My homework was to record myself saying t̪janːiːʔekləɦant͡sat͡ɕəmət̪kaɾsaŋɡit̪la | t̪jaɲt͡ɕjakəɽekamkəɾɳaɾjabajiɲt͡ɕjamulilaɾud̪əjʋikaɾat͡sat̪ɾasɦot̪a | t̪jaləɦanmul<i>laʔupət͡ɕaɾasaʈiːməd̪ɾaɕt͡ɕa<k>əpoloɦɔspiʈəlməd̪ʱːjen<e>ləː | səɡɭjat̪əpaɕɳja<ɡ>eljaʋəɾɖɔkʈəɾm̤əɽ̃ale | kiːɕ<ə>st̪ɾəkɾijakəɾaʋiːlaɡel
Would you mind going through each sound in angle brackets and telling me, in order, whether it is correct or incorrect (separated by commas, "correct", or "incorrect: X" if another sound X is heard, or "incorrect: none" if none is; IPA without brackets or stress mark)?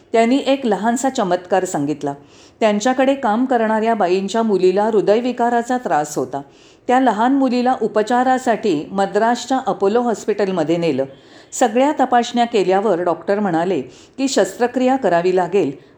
correct, incorrect: ʔ, correct, incorrect: k, correct